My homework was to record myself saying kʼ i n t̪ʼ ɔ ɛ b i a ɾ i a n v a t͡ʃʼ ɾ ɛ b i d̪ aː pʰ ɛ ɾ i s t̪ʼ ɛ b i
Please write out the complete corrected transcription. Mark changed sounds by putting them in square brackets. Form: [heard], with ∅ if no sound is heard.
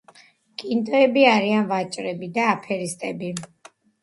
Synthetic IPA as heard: kʼ i n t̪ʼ ɔ ɛ b i a ɾ i a n v a t͡ʃʼ ɾ ɛ b i d̪ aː pʰ ɛ ɾ i s t̪ʼ ɛ b i